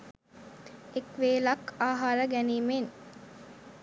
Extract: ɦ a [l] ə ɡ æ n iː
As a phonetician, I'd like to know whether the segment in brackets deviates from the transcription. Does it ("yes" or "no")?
yes